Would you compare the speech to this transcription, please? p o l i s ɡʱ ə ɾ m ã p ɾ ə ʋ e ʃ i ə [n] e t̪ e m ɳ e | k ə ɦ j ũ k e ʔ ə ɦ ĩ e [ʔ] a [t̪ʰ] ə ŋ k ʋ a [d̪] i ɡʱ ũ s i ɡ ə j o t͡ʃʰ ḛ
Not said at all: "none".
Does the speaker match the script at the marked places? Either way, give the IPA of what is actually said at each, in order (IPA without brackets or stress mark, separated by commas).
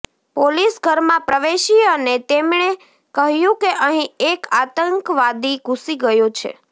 n, k, t̪, d̪